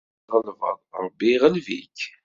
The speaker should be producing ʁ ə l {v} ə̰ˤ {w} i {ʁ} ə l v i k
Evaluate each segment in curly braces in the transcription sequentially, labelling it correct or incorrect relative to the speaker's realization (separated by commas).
correct, incorrect, correct